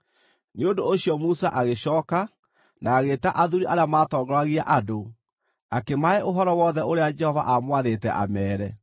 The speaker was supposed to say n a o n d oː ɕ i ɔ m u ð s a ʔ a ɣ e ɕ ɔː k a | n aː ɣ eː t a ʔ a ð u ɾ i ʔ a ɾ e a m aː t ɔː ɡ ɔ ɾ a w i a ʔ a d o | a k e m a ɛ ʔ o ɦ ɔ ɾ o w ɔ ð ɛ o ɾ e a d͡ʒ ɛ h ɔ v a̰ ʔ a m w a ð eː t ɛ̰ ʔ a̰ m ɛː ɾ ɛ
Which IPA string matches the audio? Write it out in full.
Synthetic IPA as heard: n e o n d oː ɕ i ɔ m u s a ʔ a ɣ e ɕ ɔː k a | n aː ɣ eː t a ʔ a ð u ɾ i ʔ a ɾ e a m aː t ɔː ɡ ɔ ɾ a ɣ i a ʔ a d o | a k e m a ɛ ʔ o ɦ ɔ ɾ ɔ w ɔ ð ɛ o ɾ e a d͡ʒ ɛ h ɔ v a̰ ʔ a m w a ð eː t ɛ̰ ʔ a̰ m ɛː ɾ ɛ